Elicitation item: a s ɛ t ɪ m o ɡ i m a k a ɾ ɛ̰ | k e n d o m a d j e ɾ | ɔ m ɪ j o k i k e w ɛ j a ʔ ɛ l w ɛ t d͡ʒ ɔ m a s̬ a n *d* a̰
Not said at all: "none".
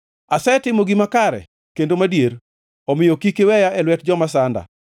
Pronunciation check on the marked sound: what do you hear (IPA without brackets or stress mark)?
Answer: d